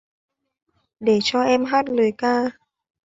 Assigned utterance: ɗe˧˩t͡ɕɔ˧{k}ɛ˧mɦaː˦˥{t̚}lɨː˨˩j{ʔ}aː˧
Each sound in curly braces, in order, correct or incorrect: incorrect: ʔ, correct, incorrect: k

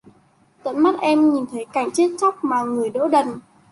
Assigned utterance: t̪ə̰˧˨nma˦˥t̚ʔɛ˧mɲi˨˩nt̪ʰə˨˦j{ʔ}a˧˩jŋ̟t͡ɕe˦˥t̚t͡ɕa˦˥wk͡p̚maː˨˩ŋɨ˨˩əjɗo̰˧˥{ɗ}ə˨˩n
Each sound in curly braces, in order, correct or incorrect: incorrect: k, correct

